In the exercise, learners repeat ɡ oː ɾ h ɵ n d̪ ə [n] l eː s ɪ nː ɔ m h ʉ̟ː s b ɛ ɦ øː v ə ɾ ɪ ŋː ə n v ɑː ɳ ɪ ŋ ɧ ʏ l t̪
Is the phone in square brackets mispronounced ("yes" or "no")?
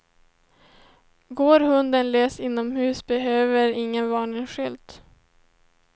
no